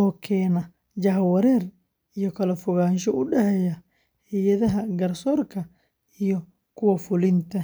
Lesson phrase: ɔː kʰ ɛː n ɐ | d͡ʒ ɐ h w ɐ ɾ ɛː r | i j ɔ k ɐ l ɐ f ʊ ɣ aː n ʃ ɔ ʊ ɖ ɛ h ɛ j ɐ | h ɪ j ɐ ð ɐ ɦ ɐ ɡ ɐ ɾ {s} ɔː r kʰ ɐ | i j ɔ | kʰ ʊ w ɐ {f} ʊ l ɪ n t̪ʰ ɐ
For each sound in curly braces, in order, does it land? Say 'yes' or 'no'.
yes, yes

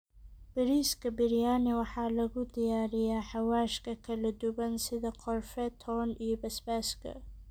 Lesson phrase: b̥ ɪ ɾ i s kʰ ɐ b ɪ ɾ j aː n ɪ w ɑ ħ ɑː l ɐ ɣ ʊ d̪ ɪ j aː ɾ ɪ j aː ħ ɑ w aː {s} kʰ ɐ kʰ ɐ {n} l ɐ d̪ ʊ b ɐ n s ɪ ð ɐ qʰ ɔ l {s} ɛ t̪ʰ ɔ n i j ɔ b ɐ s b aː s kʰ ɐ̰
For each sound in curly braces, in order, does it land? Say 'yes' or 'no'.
no, no, no

